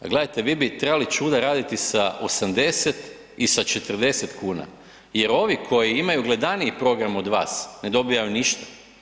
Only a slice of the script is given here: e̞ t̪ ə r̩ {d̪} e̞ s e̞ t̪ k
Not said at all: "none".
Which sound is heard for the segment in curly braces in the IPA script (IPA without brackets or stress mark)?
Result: d̪